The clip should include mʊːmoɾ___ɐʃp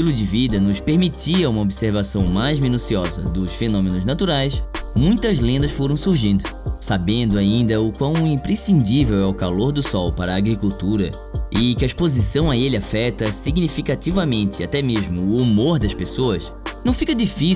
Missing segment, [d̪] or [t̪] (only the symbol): d̪